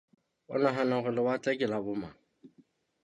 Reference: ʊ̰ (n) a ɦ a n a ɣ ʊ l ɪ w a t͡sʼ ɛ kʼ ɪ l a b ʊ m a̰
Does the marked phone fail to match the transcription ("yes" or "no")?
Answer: no